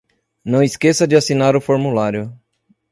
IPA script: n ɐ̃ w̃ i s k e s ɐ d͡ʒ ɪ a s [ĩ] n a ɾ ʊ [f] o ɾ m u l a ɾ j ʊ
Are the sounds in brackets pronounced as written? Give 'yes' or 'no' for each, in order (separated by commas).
no, yes